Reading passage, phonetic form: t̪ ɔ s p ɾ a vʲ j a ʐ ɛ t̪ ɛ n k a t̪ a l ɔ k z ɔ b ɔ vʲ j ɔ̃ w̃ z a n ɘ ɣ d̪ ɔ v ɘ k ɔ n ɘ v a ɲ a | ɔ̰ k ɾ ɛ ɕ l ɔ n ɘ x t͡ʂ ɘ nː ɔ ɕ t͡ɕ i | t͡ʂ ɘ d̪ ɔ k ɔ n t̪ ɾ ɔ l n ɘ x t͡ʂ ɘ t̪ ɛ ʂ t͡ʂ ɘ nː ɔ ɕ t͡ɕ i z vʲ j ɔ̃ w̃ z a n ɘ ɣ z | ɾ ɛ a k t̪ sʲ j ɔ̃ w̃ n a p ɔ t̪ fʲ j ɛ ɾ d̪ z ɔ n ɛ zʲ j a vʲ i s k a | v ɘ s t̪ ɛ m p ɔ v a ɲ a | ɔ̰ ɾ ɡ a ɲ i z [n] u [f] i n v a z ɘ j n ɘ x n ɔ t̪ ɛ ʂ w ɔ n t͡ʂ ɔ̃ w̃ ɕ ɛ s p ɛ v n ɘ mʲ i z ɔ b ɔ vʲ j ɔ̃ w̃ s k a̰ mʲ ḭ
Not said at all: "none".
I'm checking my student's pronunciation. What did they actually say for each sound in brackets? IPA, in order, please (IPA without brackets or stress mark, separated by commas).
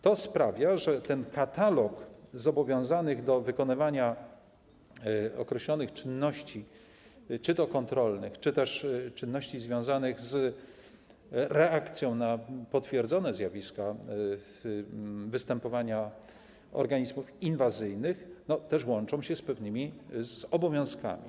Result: m, f